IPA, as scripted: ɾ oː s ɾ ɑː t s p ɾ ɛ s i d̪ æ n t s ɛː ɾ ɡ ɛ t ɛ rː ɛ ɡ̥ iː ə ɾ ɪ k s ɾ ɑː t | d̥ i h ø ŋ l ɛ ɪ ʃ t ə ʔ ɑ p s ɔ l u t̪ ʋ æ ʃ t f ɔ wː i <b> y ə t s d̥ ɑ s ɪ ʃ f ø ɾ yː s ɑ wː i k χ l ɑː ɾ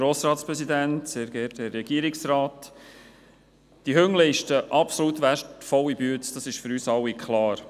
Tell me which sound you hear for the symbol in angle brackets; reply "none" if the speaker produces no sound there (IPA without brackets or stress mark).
b